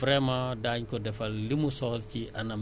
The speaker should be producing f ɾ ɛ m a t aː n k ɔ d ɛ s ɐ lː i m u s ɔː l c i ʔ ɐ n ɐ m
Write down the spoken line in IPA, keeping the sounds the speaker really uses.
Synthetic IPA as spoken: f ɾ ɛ m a d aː ɲ k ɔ d ɛ f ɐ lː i m u s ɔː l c i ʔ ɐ n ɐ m